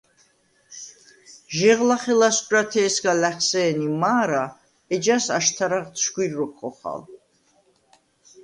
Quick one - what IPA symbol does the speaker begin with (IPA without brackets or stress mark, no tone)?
ʒ